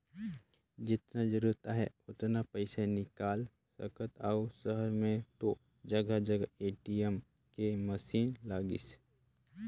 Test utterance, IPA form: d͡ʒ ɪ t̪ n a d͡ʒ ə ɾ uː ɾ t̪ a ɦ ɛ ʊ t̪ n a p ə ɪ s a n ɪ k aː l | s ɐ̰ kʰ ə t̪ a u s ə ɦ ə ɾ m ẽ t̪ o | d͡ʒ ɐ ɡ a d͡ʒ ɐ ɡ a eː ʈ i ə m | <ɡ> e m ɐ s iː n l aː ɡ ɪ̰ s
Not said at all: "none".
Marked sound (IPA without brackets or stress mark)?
k